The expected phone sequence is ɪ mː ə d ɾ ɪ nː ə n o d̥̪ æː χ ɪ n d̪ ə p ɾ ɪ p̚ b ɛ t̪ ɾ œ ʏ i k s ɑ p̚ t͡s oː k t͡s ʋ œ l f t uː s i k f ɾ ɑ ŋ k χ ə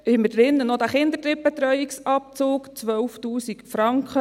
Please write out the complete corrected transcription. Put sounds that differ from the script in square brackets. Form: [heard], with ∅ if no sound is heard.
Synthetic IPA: ɪ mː ə d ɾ ɪ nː ə n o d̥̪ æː χ ɪ n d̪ ə [t] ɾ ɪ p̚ b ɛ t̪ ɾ œ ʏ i k s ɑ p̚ t͡s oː k t͡s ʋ œ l f t uː s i k f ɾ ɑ ŋ k χ ə